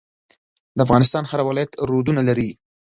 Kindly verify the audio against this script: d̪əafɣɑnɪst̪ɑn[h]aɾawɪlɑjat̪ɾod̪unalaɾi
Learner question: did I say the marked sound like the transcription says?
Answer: yes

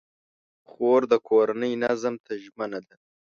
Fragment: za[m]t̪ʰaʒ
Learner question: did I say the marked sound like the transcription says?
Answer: yes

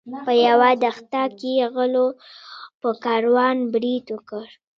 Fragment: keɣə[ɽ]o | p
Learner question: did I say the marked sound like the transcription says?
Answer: no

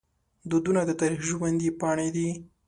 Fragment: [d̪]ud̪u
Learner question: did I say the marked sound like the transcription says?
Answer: yes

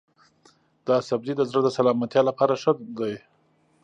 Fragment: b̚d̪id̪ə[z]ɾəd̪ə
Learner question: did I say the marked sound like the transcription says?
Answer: yes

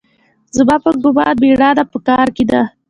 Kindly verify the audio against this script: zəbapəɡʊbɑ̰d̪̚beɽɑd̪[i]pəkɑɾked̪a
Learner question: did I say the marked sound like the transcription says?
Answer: no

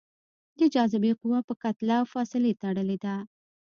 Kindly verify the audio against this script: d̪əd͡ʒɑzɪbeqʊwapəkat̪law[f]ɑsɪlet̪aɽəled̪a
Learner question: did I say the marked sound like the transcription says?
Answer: yes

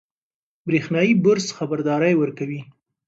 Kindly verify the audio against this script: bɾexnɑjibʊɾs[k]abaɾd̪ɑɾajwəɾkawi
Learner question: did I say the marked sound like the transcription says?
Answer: no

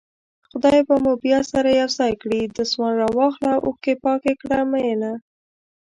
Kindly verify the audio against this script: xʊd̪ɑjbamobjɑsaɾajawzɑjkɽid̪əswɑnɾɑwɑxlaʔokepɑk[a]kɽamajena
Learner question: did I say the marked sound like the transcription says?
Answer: no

